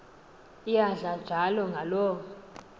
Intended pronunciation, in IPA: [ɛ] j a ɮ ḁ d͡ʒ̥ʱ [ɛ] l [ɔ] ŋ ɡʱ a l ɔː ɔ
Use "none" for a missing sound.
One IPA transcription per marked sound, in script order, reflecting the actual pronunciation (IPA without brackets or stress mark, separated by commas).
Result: i, a, ɔ